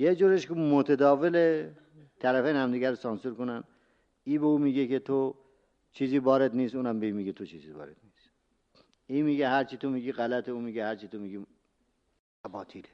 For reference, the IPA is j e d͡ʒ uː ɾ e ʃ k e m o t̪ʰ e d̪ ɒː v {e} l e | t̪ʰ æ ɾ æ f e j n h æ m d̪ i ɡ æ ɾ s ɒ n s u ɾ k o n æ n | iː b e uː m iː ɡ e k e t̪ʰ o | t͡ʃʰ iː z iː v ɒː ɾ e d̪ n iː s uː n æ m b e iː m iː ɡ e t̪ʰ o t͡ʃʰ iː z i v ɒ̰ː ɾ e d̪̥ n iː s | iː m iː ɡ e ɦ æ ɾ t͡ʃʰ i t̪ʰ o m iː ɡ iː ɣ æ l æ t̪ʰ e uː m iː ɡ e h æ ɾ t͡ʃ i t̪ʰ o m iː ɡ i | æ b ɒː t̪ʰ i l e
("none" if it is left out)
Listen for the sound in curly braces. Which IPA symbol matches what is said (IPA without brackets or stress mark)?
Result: e